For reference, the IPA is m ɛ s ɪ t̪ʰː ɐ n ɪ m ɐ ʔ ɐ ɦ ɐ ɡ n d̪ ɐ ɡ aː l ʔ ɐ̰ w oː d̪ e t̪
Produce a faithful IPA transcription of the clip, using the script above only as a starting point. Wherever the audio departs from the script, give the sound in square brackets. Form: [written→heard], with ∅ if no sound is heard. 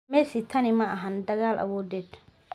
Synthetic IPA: m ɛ s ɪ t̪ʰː ɐ n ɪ m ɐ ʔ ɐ ɦ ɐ [ɡ→∅] n d̪ ɐ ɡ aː l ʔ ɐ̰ w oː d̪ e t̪